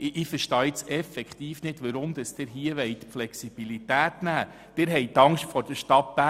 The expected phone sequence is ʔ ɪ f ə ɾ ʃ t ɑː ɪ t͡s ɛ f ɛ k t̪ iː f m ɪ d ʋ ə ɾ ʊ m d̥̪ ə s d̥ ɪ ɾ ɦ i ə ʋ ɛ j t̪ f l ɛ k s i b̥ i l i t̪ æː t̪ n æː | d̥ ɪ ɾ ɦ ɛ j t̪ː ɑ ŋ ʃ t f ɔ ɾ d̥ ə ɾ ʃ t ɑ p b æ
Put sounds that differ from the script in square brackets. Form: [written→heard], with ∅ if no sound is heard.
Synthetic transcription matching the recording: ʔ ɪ f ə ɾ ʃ t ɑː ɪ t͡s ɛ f ɛ k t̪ iː f [m→n] ɪ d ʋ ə ɾ ʊ m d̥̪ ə s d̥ ɪ ɾ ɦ i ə ʋ ɛ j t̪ f l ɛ k s i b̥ i l i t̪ æː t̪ n æː | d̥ ɪ ɾ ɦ ɛ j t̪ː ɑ ŋ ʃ t f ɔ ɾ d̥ ə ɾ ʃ t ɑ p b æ